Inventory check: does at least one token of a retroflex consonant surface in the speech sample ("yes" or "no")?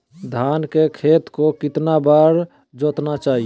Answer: no